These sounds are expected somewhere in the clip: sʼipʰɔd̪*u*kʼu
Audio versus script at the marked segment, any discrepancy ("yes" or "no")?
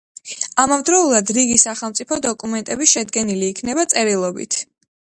yes